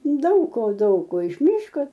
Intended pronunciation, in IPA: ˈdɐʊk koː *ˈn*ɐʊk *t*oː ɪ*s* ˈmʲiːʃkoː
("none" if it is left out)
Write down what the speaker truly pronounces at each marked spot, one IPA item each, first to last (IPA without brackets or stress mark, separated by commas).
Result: d, k, ʃ